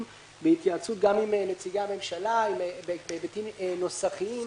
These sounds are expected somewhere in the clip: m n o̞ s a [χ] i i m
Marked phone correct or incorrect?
correct